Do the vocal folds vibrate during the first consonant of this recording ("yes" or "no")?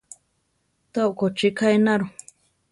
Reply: no